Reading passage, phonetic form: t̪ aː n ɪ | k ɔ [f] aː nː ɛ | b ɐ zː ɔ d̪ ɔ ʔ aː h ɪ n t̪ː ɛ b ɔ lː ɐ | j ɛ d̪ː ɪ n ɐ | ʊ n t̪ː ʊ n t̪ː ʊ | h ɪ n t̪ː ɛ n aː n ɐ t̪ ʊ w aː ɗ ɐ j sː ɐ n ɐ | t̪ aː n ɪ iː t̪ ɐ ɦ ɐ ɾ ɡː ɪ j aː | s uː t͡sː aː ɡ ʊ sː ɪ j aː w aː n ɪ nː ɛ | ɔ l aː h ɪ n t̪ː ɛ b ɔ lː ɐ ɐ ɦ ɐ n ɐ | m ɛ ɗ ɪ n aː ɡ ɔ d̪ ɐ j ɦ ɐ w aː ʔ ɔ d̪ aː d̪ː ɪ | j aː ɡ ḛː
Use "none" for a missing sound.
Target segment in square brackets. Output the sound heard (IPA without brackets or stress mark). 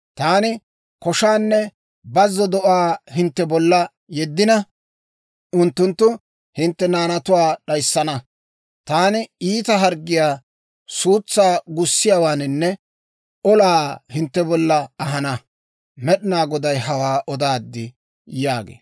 ʃ